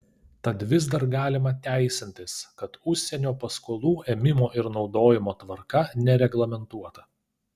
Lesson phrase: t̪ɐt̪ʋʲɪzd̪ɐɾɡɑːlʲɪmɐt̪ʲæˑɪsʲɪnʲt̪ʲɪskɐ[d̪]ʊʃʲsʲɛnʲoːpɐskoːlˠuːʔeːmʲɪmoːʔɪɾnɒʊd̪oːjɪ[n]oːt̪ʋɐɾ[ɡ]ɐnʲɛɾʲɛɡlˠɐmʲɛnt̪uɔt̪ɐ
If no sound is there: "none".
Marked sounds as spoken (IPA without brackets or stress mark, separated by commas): t̪, m, k